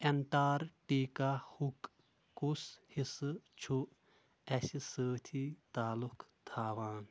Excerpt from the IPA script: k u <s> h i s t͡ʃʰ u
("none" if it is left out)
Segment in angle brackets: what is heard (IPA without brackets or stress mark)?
s